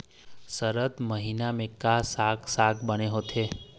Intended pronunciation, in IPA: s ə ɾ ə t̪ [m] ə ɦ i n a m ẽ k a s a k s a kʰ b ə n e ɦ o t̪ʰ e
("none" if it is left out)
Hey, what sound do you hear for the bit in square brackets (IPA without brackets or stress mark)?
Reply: m